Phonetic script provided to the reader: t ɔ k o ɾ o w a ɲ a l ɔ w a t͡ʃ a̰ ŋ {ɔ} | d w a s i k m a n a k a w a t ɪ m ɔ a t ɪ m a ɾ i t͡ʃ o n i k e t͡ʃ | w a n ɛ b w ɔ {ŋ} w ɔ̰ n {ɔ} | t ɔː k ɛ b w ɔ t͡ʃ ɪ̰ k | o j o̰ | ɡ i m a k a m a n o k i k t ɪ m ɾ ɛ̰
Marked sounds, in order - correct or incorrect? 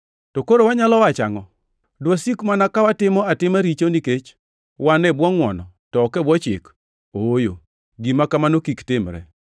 correct, correct, correct

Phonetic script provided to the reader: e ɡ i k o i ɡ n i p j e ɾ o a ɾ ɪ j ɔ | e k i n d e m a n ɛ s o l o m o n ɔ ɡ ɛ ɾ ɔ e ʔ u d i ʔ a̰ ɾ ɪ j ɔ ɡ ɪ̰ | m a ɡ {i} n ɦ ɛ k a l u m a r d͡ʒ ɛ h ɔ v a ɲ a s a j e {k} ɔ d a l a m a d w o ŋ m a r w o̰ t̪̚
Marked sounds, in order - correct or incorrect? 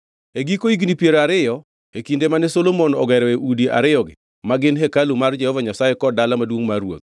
incorrect: ɪ, correct

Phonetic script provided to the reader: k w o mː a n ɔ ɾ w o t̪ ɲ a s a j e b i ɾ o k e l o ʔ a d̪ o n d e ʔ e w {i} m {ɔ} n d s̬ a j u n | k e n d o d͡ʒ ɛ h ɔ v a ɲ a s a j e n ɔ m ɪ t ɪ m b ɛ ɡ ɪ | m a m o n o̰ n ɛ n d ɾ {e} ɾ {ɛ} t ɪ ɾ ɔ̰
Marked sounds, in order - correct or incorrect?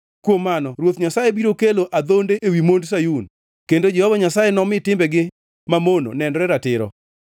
correct, incorrect: o, incorrect: ɛ, incorrect: a

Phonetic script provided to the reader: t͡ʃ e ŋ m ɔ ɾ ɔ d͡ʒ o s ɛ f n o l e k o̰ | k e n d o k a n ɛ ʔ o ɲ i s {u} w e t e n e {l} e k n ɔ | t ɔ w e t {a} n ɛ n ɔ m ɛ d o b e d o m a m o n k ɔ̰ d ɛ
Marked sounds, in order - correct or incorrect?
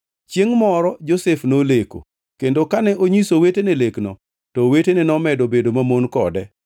incorrect: o, correct, incorrect: e

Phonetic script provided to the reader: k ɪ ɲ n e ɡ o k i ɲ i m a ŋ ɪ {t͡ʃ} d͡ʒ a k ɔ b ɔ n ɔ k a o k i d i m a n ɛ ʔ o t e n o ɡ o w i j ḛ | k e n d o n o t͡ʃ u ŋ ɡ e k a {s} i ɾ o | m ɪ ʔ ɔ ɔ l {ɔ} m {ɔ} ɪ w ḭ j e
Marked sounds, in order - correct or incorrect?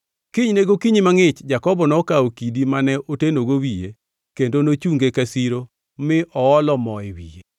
correct, correct, correct, correct

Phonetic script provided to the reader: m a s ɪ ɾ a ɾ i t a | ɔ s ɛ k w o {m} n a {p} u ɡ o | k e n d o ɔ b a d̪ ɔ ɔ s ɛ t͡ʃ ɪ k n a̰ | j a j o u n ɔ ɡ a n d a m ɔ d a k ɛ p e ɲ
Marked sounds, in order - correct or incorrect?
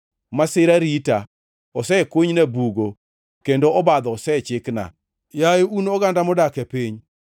incorrect: ɲ, incorrect: b

